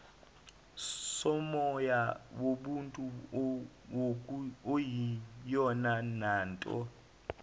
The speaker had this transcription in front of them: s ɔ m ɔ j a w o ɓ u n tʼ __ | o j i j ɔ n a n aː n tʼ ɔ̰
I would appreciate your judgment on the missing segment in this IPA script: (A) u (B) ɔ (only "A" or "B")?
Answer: A